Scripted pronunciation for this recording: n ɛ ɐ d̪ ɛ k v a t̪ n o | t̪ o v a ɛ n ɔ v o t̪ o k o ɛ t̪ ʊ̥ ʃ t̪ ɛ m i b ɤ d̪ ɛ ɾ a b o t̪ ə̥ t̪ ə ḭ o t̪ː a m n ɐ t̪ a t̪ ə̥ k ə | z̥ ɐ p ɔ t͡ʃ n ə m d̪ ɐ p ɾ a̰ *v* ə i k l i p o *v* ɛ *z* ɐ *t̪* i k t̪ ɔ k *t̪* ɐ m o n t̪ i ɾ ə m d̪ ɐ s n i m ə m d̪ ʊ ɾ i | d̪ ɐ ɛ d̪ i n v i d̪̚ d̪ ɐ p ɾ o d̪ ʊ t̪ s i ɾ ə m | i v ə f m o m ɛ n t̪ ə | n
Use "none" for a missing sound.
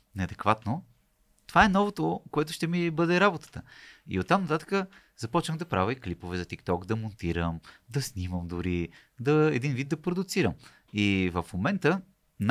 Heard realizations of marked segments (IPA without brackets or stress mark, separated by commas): v, v, z, t̪, d̪